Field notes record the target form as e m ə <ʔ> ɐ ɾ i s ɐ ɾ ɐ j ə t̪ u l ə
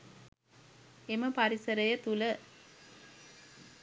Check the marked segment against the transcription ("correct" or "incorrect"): incorrect